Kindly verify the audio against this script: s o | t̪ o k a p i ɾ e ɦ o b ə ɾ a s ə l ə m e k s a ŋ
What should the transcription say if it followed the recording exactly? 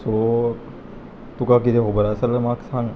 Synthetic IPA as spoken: s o | t̪ u k a k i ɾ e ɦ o b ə ɾ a s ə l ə m a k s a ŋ